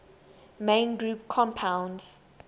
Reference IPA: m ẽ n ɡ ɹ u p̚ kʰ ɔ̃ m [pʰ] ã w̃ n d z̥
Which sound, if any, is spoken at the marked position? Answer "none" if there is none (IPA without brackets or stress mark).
pʰ